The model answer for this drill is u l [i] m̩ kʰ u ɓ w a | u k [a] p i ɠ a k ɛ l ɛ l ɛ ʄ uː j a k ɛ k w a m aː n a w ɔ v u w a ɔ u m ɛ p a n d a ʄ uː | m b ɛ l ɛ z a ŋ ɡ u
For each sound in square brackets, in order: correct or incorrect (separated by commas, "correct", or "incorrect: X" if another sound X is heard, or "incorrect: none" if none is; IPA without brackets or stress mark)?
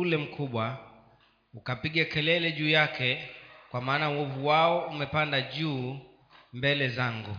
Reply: incorrect: ɛ, correct